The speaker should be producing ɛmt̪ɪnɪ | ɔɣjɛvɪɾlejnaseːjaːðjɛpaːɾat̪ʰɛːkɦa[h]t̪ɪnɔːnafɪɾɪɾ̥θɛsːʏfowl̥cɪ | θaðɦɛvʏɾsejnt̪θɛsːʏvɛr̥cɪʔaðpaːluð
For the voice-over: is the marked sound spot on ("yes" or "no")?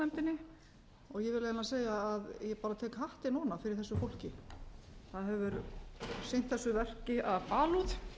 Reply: yes